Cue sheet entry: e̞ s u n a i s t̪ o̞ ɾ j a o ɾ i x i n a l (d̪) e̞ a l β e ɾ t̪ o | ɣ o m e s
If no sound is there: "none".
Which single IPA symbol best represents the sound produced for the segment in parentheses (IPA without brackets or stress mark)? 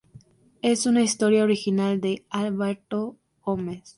d̪